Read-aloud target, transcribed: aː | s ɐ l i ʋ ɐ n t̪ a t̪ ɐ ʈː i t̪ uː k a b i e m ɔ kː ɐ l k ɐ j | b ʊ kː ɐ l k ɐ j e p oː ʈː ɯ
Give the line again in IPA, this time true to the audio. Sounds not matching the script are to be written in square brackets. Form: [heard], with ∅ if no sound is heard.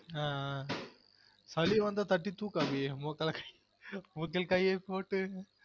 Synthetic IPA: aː | s ɐ l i ʋ ɐ n [d̪] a t̪ ɐ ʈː i t̪ uː k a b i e m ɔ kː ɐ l k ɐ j | [m] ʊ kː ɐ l k ɐ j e p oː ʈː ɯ